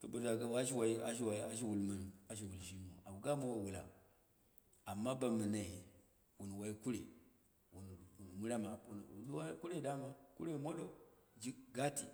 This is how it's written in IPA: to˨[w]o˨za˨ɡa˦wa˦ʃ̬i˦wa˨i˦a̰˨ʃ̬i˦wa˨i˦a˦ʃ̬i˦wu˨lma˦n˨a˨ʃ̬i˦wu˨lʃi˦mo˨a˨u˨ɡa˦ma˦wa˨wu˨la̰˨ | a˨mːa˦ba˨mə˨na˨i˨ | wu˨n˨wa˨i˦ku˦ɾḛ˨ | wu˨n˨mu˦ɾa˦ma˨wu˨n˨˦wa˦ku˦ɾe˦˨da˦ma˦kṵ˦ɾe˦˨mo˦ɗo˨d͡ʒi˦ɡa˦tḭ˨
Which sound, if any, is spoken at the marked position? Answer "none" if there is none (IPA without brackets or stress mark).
b